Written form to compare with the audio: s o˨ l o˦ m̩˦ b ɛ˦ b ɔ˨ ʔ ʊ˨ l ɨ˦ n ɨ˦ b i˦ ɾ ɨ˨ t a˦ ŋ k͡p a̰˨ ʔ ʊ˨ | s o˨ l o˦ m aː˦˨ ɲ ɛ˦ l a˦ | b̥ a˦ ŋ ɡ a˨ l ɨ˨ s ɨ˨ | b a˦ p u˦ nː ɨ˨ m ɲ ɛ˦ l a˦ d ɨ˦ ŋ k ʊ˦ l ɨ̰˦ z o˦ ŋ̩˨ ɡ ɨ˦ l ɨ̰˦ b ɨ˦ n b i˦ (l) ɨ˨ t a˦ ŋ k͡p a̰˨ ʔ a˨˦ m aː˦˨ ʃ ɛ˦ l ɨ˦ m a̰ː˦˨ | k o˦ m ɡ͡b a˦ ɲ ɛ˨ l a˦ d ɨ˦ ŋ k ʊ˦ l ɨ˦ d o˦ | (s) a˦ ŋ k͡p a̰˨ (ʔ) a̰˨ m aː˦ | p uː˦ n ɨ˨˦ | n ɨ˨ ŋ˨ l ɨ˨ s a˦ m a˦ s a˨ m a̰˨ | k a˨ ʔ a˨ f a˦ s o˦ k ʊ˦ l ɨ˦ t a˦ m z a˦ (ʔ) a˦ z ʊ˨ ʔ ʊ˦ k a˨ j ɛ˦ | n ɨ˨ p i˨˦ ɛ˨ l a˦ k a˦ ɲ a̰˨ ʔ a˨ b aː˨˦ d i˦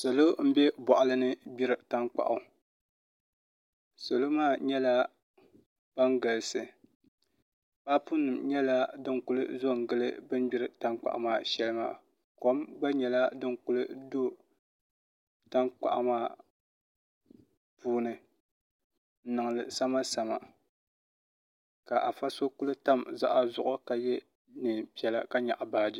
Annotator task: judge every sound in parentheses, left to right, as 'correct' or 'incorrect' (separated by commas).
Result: incorrect, incorrect, correct, correct